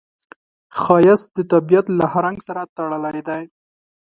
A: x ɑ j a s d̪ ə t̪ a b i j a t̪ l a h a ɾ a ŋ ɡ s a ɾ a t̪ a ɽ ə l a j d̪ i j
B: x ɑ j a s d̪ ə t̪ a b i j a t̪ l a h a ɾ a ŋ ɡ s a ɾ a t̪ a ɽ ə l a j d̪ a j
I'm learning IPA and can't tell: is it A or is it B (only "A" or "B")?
B